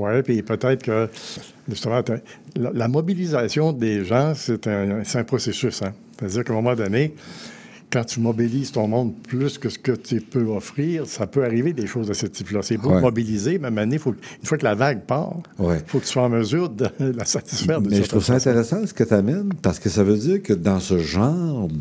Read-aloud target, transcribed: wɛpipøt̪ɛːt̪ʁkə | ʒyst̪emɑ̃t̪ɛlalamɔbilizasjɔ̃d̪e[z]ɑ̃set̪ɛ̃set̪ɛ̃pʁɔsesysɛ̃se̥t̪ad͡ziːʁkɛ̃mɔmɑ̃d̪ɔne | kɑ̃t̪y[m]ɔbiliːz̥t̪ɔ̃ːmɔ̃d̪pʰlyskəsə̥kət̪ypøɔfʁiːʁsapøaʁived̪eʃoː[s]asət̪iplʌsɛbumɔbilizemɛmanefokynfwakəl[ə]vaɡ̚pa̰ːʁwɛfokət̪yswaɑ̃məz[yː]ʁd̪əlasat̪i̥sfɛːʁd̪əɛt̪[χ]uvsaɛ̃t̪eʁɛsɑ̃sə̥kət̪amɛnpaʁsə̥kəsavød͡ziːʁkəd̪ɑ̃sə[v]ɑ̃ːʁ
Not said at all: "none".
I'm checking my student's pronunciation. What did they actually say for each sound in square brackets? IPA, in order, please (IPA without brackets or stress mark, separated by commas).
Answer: ʒ, m, z, a, yː, ʁ, ʒ